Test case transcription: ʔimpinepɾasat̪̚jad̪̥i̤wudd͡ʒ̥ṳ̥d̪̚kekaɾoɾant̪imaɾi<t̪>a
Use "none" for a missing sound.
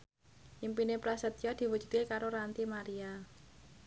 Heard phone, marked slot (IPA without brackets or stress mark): none